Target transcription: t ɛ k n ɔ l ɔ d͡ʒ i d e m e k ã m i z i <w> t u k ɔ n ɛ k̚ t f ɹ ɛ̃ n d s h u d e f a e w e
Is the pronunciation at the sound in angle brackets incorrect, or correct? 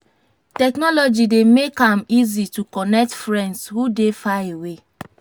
incorrect